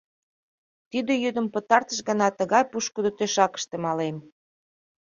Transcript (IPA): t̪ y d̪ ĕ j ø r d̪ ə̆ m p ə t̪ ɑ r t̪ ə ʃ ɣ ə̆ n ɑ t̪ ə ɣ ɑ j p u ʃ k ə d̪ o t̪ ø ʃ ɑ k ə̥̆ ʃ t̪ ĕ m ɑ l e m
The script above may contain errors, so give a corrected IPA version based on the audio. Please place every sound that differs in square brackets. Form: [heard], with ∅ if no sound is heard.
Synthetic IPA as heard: t̪ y d̪ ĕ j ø [∅] d̪ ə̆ m p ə t̪ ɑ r t̪ ə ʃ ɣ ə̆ n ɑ t̪ ə ɣ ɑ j p u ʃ k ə d̪ o t̪ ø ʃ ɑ k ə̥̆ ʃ t̪ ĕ m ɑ l e m